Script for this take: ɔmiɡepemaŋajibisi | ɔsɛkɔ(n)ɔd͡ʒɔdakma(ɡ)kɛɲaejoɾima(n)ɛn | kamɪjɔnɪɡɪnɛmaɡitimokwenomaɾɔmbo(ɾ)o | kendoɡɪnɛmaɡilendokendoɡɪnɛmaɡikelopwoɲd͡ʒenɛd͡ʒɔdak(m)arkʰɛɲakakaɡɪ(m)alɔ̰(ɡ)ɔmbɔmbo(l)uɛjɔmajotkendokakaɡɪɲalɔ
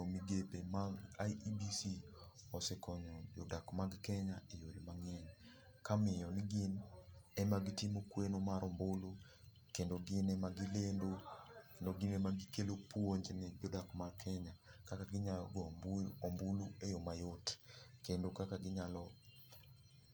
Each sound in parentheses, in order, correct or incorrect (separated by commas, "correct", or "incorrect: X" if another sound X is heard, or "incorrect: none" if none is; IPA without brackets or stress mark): incorrect: ɲ, correct, incorrect: ŋ, incorrect: l, correct, incorrect: ɲ, correct, correct